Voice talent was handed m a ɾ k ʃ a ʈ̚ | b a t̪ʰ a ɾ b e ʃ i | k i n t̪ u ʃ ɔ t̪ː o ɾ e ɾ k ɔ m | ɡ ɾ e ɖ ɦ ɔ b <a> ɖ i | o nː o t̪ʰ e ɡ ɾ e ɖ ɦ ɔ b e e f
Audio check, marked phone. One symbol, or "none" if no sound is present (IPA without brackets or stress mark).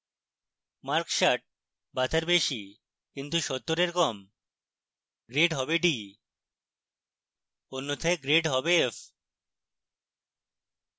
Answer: e